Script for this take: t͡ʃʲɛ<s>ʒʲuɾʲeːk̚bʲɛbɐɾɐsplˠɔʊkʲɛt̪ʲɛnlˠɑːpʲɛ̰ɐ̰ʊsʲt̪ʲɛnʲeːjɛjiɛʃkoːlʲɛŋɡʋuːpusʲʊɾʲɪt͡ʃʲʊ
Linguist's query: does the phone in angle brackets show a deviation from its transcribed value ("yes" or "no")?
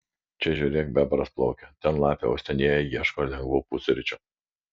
yes